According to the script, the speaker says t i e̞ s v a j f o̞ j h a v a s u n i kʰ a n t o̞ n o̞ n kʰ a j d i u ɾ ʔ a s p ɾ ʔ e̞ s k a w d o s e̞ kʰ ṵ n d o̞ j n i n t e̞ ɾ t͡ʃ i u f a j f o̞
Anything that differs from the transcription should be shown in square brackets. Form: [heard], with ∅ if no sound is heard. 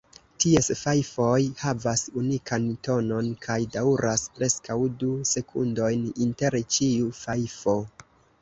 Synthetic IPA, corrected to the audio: t i e̞ s [f] a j f o̞ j h a v a s u n i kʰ a n t o̞ n o̞ n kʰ a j d [a] u ɾ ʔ a s p ɾ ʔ e̞ s k a w d [u] s e̞ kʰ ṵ n d o̞ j n i n t e̞ ɾ t͡ʃ i u f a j f o̞